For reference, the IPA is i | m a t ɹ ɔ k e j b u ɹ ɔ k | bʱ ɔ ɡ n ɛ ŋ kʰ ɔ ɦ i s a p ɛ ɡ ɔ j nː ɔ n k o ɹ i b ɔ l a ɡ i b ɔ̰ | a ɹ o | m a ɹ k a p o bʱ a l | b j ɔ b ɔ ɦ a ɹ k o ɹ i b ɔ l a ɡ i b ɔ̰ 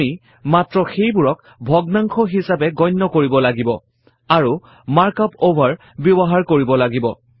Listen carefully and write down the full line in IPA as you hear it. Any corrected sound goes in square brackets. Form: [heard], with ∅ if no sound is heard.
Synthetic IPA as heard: i | m a t ɹ ɔ [x] e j b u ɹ ɔ k | bʱ ɔ ɡ n [a] ŋ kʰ ɔ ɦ i s a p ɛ ɡ ɔ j nː ɔ [∅] k o ɹ i b ɔ l a ɡ i b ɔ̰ | a ɹ [u] | m a ɹ k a p o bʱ a [ɹ] | b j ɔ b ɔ ɦ a ɹ k o ɹ i b ɔ l a ɡ i b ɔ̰